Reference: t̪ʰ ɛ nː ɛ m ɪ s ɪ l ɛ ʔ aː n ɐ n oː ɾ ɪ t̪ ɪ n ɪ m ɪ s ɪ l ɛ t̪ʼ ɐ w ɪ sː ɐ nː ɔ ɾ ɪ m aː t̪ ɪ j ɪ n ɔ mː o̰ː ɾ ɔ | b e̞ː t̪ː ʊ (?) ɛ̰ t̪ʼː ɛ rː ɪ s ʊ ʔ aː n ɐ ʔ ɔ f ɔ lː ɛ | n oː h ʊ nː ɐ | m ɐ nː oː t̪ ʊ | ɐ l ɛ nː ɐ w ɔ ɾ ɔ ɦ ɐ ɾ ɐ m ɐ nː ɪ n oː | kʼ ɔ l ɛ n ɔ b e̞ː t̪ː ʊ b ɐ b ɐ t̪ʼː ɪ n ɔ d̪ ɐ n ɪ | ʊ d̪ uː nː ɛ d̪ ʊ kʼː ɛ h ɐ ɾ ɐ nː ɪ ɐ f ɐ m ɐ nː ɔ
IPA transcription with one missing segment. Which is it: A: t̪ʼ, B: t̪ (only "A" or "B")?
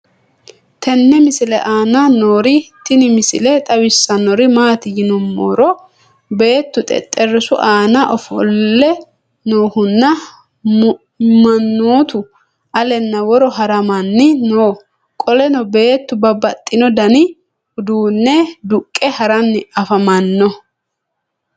A